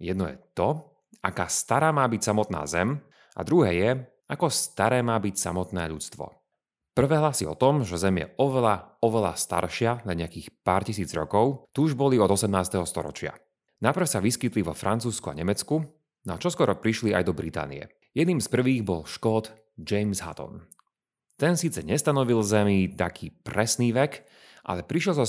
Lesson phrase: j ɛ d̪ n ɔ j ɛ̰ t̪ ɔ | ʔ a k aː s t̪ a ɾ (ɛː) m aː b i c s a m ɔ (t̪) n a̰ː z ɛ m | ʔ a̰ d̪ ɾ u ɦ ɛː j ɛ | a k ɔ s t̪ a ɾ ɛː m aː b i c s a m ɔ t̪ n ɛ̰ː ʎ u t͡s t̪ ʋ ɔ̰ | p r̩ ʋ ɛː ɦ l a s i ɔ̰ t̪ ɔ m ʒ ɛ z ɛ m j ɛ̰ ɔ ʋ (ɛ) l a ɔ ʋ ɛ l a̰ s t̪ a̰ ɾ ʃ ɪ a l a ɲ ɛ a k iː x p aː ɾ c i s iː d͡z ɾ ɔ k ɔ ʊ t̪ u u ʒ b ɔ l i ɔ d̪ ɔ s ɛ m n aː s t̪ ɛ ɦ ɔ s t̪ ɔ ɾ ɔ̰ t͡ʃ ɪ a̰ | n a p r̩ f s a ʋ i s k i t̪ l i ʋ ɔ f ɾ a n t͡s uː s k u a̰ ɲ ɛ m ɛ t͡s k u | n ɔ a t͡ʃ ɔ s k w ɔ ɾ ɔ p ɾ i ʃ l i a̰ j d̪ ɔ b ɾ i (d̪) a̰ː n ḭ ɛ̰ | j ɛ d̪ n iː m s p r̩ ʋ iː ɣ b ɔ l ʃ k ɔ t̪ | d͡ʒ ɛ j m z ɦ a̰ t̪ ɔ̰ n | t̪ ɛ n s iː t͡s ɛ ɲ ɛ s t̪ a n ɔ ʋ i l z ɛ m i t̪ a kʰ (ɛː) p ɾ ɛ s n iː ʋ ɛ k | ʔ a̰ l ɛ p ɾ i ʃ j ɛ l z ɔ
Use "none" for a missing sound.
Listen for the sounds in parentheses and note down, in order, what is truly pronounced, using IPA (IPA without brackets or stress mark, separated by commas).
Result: aː, t̪, ɛ, t̪, iː